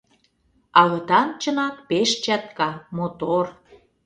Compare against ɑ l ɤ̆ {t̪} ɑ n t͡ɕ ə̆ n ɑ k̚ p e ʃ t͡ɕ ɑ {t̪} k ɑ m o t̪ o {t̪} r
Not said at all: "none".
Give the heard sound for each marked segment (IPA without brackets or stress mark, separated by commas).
t̪, t̪, none